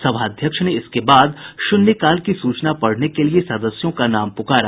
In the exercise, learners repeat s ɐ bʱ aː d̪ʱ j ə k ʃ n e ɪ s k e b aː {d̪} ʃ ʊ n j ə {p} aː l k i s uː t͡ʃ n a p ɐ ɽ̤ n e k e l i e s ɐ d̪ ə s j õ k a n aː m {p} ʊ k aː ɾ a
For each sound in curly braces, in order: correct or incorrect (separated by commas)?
correct, incorrect, correct